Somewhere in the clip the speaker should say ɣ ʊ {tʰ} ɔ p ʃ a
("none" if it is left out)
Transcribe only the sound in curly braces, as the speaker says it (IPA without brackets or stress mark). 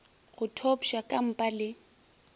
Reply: tʰ